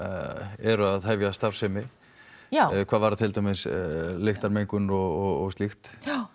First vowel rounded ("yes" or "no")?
no